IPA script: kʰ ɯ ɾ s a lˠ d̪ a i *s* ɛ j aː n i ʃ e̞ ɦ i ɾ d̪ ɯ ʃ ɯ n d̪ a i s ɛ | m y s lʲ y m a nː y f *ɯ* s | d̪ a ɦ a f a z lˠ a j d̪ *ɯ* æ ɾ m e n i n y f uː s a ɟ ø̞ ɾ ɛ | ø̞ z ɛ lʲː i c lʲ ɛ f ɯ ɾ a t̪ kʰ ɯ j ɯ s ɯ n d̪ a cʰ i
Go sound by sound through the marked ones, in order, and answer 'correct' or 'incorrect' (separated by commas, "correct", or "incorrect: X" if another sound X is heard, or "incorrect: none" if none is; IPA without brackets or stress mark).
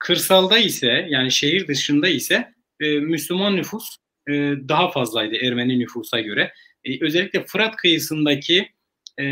correct, incorrect: u, correct